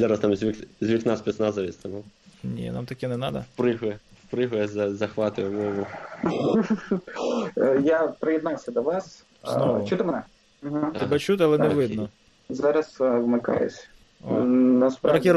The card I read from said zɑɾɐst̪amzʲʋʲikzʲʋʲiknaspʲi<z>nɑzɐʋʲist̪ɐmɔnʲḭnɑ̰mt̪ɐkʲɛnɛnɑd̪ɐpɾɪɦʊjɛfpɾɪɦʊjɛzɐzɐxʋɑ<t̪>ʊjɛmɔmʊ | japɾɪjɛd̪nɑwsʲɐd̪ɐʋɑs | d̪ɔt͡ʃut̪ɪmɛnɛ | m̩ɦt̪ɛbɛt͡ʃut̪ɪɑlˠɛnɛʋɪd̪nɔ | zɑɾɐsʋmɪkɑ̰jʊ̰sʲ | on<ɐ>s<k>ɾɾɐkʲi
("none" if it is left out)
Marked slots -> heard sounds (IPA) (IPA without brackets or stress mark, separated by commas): s, t̪, ɐ, p